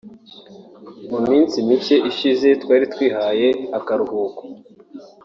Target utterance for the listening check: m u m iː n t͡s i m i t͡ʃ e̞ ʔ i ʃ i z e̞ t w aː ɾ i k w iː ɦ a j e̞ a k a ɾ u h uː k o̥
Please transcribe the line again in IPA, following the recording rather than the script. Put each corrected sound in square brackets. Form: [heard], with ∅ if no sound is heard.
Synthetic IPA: m u m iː n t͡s i m i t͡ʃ e̞ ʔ i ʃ i z e̞ t w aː ɾ i [t] w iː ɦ a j e̞ a k a ɾ u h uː k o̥